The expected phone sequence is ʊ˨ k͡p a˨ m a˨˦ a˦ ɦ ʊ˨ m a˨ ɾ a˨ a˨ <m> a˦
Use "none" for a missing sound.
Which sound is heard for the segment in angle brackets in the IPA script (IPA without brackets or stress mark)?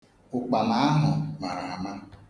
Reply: m